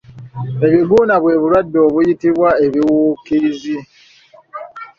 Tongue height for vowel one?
mid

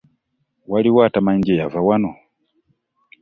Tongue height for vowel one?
low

